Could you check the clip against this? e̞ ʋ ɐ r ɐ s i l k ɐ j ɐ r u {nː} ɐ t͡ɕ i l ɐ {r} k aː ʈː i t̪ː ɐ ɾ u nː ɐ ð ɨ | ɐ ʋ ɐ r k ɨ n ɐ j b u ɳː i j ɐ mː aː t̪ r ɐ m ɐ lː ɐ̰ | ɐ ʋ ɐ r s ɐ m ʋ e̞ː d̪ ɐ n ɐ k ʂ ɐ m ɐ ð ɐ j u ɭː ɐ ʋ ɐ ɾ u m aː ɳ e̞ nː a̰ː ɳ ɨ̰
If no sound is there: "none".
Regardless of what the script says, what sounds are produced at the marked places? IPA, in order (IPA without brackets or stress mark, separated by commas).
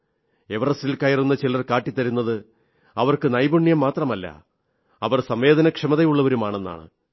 nː, r